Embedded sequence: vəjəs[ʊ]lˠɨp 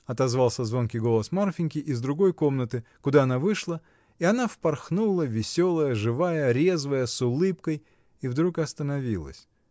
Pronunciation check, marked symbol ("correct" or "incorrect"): correct